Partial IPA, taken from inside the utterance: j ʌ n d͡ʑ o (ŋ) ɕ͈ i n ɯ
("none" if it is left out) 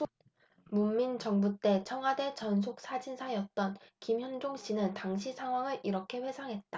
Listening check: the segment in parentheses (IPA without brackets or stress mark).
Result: ŋ